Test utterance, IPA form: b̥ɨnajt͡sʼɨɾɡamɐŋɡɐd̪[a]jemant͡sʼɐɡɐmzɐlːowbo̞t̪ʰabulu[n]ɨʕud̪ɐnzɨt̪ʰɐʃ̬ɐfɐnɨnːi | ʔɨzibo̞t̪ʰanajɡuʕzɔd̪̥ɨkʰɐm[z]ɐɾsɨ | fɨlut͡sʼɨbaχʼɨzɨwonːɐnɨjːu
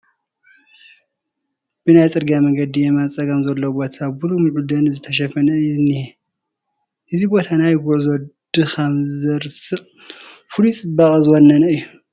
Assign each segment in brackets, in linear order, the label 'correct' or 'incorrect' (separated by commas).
incorrect, incorrect, correct